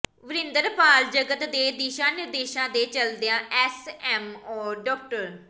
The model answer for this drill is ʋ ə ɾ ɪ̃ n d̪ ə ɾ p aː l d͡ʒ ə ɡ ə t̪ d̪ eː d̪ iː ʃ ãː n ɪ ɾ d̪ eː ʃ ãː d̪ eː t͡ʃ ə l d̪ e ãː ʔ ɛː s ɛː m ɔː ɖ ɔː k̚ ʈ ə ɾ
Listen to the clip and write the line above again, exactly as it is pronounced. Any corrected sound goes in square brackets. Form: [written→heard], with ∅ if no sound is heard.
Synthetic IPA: ʋ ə ɾ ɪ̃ n d̪ ə ɾ p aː l d͡ʒ ə ɡ ə t̪ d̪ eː d̪ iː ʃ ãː n ɪ ɾ d̪ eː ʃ ãː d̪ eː t͡ʃ ə l d̪ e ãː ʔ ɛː s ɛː m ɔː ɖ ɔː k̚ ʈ ə ɾ